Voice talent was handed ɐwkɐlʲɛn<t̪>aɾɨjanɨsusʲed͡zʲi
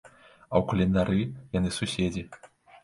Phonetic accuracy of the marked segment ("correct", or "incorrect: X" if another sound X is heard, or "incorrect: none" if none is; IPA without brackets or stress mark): incorrect: d̪